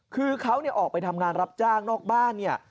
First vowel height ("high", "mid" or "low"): high